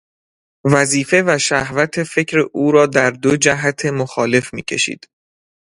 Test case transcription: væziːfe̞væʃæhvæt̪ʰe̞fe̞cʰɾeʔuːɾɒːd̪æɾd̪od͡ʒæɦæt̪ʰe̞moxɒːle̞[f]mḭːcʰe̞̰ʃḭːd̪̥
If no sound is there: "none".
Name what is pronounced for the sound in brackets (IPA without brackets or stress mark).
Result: f